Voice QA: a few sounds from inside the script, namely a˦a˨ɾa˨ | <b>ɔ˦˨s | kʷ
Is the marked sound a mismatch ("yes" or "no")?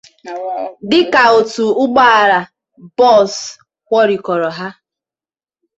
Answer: no